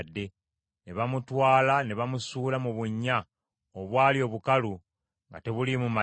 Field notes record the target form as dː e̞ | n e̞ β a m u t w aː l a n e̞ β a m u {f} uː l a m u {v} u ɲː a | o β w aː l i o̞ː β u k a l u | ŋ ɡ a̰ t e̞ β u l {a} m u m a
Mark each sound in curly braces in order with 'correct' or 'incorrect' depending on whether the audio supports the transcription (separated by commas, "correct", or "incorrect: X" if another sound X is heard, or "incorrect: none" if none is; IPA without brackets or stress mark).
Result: incorrect: s, incorrect: β, incorrect: i